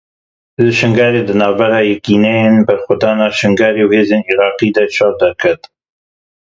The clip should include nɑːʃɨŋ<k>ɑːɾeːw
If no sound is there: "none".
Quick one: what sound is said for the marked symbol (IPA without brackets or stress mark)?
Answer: ɡ